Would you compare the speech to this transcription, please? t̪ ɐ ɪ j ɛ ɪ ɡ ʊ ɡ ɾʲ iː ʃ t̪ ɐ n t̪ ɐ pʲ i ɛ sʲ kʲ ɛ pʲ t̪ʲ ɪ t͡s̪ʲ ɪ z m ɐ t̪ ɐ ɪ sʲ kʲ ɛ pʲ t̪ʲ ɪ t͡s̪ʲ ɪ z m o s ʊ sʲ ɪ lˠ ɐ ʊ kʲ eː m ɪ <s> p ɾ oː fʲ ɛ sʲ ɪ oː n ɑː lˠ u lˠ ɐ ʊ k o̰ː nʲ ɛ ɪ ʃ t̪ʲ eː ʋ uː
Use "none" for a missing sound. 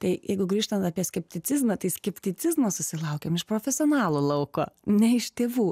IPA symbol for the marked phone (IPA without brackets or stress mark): ʃ